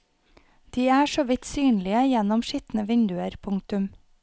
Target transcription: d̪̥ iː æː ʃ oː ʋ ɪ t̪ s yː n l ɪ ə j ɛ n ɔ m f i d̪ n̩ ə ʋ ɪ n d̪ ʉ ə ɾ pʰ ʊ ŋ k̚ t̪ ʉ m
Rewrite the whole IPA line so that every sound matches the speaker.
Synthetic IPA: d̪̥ iː æː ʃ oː ʋ ɪ t̪ s yː n l ɪ ə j ɛ n ɔ m ʃ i t̪ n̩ ə ʋ ɪ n d̪ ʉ ə ɾ pʰ ʊ ŋ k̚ t̪ ʉ m